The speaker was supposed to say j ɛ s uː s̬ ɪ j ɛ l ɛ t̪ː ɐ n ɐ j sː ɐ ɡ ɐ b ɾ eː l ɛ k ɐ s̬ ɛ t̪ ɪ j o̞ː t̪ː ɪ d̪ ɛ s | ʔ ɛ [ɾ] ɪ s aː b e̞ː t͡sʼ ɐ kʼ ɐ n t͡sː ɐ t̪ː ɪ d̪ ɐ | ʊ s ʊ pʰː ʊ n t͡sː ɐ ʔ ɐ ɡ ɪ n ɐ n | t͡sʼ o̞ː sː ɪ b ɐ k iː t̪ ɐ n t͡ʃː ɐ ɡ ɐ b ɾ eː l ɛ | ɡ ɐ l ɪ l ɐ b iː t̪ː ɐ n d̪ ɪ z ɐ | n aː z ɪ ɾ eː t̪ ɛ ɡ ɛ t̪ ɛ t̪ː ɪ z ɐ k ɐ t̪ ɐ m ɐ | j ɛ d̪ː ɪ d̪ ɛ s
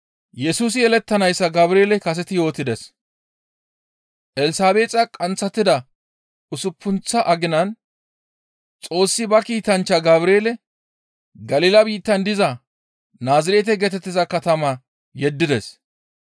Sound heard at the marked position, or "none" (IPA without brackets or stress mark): l